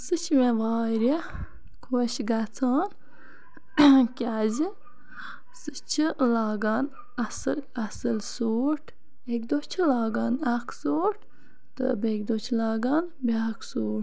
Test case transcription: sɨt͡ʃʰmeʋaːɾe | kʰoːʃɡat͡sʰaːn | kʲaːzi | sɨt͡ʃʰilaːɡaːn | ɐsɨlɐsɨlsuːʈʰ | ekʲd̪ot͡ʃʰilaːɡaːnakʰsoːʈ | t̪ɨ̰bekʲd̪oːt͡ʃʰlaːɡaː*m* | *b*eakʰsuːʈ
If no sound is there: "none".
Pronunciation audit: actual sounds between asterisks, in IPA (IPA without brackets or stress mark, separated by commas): n, b